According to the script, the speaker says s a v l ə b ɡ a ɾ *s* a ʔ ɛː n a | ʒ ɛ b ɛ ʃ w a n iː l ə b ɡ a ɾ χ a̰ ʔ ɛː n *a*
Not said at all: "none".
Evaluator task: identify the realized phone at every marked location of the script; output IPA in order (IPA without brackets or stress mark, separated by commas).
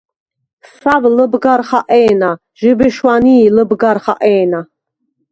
χ, a